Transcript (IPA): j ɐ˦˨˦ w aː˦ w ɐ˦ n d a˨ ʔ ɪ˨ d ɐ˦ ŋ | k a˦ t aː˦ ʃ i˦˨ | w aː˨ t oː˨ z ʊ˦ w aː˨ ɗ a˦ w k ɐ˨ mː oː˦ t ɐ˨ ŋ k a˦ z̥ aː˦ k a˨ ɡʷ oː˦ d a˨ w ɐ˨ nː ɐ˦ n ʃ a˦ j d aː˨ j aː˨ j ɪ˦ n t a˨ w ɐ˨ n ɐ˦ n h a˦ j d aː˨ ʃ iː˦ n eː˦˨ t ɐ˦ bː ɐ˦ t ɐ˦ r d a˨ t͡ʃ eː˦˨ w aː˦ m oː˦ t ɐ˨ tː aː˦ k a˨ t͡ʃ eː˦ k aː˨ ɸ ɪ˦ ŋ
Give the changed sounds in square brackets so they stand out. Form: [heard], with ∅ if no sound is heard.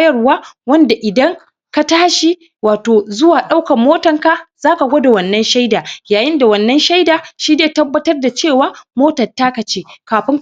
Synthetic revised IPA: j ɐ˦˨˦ w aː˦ w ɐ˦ n d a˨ ʔ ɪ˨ d ɐ˦ ŋ | k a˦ t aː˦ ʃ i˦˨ | w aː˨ t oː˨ z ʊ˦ w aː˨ ɗ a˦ w k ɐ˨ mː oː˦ t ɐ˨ ŋ k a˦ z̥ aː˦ k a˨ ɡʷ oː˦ d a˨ w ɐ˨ nː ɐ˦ n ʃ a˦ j d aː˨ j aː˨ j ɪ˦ n [d] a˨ w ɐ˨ [nː] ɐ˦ n [ʃ] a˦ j d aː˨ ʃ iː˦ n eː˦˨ t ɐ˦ bː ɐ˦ t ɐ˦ r d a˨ t͡ʃ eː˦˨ w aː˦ m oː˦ t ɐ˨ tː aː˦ k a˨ t͡ʃ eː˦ k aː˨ ɸ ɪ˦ ŋ